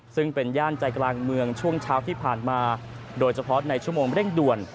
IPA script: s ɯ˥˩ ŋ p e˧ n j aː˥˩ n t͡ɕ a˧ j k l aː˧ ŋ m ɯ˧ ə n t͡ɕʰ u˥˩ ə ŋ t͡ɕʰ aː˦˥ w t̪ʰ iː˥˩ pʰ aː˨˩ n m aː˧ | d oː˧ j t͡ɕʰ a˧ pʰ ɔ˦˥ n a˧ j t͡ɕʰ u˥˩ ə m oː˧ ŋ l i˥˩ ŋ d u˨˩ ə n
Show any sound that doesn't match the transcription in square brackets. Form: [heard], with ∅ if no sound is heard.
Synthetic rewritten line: s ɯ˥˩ ŋ p e˧ n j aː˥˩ n t͡ɕ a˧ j k l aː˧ ŋ m ɯ˧ ə [ŋ] t͡ɕʰ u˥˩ ə ŋ t͡ɕʰ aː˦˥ w t̪ʰ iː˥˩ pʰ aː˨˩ n m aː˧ | d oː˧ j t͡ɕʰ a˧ pʰ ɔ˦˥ n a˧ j t͡ɕʰ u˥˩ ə m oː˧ ŋ [ɾ] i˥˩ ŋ d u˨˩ ə n

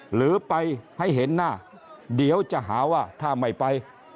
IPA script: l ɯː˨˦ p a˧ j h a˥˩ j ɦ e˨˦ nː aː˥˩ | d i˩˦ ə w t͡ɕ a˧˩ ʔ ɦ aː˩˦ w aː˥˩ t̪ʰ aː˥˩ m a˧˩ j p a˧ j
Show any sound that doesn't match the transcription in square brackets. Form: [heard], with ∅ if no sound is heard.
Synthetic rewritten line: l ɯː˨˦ p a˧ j h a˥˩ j ɦ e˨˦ nː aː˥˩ | d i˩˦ ə w t͡ɕ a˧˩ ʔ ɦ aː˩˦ w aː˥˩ t̪ʰ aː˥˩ m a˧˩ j p a˧ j

